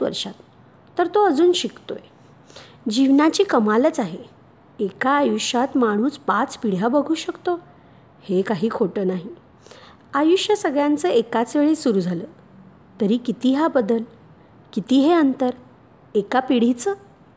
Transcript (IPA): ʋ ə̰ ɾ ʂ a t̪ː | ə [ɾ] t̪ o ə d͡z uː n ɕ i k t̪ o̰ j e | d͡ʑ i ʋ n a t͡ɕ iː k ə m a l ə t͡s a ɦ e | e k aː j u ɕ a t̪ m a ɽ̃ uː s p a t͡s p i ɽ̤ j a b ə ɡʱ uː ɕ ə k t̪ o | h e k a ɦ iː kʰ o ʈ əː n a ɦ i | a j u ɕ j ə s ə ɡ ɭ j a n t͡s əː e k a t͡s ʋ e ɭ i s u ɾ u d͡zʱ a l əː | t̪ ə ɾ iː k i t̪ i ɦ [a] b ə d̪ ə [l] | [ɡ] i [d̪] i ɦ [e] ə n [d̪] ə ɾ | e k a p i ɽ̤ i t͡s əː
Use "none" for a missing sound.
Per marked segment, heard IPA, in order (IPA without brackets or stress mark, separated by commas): ɾ, a, l, k, t̪, e, t̪